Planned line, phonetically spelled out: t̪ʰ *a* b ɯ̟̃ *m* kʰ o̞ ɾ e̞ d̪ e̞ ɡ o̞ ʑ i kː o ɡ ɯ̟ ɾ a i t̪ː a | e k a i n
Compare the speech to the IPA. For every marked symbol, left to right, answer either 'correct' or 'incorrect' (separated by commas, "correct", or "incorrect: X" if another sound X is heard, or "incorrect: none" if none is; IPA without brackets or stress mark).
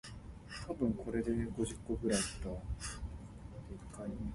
correct, incorrect: ŋ